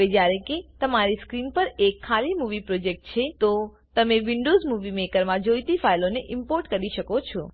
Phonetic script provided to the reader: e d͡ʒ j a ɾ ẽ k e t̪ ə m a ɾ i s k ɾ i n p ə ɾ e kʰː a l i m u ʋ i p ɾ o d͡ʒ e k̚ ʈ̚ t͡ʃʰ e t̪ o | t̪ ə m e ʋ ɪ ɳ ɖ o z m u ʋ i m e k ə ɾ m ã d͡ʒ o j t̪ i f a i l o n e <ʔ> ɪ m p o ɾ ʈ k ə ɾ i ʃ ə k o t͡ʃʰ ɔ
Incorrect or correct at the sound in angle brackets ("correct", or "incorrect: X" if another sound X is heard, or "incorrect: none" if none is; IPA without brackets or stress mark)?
correct